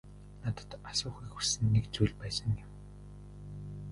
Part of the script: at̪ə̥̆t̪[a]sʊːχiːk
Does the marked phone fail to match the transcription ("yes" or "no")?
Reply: no